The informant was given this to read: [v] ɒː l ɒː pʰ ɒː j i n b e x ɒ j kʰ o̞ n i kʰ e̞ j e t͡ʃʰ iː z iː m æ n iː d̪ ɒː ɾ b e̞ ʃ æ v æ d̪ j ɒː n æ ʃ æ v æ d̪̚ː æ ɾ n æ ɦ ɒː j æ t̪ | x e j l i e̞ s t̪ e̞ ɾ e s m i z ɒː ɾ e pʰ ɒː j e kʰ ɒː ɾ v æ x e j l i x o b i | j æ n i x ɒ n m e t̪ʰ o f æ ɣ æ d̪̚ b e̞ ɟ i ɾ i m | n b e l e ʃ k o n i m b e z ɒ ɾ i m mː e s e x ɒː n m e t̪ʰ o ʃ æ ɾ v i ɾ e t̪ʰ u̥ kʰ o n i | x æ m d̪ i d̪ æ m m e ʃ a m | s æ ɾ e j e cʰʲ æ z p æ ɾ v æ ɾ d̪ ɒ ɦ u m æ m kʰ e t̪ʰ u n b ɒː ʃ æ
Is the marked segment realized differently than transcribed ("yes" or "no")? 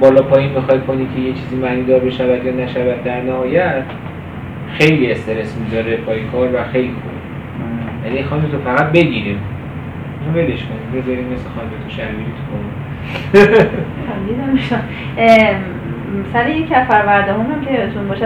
yes